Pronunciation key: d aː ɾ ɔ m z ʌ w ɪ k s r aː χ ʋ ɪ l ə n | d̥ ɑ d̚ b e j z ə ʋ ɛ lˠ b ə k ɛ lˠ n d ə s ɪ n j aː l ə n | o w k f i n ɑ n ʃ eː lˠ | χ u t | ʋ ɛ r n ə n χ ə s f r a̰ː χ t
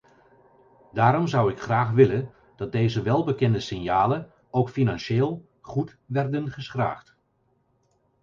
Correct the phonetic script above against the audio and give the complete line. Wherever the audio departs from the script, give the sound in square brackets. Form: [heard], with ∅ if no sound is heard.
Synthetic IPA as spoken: d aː ɾ ɔ m z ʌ w ɪ k [χ] r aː χ ʋ ɪ l ə n | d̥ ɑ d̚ [d] e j z ə ʋ ɛ lˠ b ə k ɛ [∅] n d ə s ɪ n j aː l ə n | o w k f i n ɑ n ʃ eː lˠ | χ u t | ʋ ɛ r [d] ə n χ ə s [χ] r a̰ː χ t